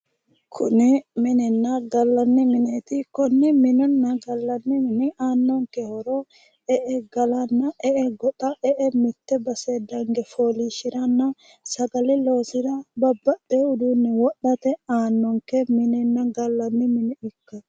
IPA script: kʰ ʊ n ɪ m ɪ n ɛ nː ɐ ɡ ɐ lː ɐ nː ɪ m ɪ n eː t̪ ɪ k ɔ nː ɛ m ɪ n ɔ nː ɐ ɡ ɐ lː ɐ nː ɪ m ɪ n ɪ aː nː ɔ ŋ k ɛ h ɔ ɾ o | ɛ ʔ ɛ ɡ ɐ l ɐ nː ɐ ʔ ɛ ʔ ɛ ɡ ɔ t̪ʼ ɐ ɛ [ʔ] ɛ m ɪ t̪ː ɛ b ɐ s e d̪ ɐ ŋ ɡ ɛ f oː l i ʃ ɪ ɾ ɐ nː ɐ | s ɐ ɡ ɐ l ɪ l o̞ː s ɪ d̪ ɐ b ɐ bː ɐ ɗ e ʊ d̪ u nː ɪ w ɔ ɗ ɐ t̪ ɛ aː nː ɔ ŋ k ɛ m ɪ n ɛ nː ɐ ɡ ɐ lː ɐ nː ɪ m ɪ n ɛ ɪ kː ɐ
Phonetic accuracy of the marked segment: correct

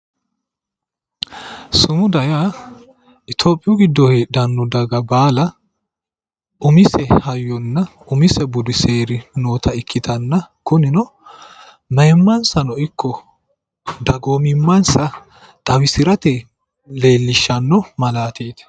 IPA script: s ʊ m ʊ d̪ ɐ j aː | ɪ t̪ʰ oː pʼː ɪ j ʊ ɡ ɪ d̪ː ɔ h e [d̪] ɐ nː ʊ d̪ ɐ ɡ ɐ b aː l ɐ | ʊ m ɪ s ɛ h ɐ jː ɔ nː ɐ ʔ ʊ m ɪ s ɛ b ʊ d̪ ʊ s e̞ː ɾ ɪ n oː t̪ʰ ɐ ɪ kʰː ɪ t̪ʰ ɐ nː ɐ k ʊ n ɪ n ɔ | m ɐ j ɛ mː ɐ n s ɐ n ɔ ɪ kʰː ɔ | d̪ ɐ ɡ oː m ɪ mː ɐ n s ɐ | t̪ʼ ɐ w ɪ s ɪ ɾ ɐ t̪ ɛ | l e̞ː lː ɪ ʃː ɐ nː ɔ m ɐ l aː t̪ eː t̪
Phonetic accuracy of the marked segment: correct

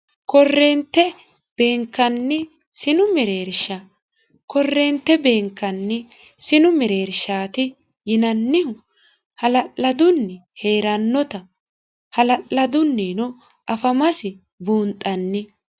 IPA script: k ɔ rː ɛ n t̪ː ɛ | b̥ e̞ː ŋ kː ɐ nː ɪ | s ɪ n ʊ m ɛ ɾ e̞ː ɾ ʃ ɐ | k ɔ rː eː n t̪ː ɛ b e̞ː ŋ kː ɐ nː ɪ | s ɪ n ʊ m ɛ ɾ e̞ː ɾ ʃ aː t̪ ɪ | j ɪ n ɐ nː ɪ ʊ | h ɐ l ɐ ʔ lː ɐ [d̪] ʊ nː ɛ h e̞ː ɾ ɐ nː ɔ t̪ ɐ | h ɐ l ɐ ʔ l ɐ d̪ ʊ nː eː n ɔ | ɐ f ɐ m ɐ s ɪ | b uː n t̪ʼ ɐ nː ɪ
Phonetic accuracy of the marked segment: correct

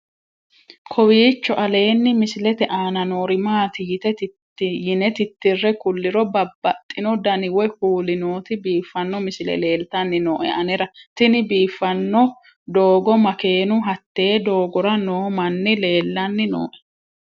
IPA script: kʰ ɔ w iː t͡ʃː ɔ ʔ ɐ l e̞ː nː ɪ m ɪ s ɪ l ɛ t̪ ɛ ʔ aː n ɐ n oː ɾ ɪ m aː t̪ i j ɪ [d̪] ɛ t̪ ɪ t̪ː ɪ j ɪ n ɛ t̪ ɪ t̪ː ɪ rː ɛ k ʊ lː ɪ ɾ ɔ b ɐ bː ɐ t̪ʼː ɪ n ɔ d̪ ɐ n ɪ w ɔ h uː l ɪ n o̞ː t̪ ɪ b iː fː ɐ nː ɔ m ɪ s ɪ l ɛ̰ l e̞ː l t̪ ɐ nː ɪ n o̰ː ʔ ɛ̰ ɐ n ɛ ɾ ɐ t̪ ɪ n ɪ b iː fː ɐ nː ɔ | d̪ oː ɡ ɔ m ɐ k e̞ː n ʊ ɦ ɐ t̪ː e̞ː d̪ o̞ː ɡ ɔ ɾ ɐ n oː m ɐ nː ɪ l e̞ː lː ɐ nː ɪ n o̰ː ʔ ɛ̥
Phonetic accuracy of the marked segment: incorrect: t̪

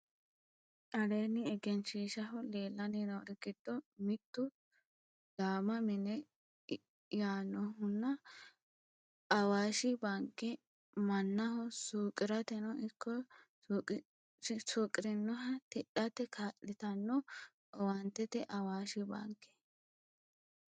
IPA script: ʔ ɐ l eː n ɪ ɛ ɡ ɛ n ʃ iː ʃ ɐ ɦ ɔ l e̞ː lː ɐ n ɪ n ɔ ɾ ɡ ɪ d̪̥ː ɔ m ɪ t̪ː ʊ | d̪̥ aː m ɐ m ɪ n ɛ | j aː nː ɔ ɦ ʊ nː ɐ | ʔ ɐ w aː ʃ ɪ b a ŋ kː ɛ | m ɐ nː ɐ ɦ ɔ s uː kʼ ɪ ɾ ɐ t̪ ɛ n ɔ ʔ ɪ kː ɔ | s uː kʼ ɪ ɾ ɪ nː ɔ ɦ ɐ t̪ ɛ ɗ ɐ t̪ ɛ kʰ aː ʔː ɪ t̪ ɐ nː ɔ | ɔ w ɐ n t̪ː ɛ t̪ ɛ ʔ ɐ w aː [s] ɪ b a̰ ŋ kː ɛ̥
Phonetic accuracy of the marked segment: incorrect: ʃ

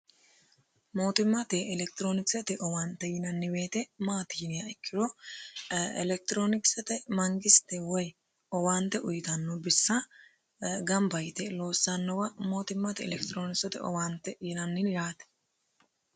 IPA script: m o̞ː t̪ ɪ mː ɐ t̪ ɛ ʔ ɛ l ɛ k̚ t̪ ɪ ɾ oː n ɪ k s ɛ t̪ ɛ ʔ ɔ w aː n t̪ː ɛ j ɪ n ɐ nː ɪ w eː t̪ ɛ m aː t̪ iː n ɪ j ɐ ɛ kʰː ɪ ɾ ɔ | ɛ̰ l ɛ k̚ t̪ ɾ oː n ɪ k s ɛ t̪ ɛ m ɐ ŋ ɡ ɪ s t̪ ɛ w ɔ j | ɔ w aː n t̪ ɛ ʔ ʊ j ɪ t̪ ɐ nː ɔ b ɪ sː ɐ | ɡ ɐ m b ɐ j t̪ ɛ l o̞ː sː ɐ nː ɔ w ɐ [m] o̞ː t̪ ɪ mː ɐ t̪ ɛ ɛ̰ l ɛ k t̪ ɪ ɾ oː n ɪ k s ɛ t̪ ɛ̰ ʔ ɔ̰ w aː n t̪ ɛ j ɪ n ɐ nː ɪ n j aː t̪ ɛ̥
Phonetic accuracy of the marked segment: correct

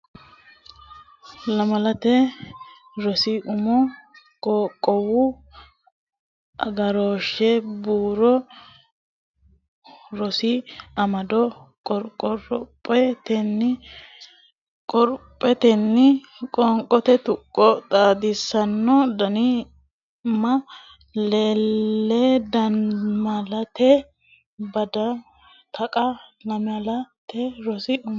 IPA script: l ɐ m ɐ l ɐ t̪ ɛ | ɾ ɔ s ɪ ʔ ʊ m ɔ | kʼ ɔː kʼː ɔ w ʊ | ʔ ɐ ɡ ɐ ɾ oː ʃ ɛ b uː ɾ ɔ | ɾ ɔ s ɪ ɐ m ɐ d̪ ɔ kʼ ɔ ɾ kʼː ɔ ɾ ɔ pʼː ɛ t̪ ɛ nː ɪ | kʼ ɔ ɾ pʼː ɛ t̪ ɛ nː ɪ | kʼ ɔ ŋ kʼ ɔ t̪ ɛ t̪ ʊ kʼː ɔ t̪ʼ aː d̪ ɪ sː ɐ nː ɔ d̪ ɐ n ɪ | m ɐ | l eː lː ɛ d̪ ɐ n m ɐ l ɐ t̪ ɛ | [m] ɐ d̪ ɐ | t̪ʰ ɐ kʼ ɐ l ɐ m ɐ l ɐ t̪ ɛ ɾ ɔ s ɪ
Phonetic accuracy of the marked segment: incorrect: b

